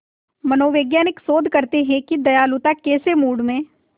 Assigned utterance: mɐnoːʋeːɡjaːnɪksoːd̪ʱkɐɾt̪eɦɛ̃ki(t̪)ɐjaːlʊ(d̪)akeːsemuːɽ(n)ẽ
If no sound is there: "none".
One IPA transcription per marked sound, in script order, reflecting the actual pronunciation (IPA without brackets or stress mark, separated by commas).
d̪, t̪, m